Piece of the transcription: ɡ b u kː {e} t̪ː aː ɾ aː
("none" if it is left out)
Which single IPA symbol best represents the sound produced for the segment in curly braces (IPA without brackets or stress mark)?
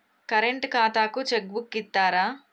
i